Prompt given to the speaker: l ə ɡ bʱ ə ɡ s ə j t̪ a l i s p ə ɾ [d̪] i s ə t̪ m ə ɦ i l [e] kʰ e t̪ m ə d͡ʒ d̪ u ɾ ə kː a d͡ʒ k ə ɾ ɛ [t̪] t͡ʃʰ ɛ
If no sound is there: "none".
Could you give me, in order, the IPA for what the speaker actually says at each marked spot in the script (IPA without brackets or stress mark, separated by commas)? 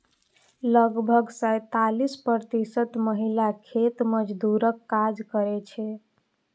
t̪, a, none